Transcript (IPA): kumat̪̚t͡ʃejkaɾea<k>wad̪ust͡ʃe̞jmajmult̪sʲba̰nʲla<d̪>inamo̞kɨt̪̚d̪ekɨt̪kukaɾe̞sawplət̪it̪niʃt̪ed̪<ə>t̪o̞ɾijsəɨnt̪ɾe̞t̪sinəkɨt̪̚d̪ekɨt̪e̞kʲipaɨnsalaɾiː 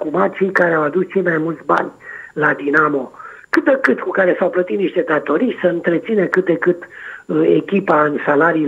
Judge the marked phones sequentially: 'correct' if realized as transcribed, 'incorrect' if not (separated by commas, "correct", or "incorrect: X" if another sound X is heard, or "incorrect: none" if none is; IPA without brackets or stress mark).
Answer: incorrect: none, correct, incorrect: a